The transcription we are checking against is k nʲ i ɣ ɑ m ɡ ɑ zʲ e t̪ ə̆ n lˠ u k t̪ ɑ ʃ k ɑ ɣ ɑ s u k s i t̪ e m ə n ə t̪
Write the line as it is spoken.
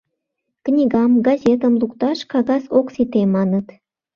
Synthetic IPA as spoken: k nʲ i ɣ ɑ m ɡ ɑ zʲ e t̪ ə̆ m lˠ u k t̪ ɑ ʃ k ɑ ɣ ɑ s o k s i t̪ e m ɑ n ə t̪